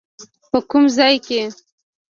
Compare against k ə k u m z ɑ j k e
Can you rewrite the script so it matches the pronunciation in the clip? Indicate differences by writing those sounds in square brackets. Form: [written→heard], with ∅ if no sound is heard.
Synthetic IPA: [k→p] ə k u m z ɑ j k e